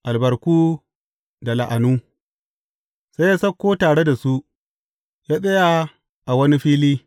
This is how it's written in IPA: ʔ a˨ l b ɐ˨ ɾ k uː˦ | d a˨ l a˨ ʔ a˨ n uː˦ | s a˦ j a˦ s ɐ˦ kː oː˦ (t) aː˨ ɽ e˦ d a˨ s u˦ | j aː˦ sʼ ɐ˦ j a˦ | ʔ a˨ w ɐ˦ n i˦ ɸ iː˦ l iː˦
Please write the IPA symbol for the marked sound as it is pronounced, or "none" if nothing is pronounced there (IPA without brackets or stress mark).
t